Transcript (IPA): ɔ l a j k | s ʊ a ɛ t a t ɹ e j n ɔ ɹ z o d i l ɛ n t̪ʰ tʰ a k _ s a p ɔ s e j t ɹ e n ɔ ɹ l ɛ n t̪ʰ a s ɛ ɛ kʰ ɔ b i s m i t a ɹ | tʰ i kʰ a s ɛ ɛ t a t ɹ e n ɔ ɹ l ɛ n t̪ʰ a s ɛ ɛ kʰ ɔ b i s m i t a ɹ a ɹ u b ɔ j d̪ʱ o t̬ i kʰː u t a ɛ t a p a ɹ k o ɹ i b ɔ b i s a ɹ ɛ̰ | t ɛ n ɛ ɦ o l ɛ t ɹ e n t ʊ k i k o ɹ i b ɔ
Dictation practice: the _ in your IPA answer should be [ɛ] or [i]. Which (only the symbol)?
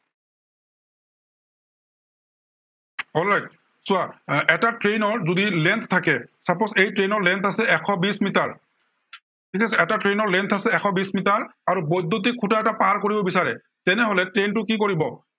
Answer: ɛ